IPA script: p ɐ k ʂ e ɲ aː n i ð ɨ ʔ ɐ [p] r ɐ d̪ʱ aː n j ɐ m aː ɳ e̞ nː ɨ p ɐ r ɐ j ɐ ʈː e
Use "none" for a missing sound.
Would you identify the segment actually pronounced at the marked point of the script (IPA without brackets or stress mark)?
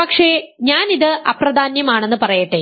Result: p